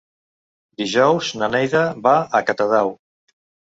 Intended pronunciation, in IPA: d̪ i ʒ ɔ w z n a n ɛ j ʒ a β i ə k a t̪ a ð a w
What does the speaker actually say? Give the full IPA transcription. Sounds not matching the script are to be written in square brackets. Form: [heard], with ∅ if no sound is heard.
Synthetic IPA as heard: d̪ i ʒ ɔ w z n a n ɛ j [ð] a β [a] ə k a t̪ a ð a w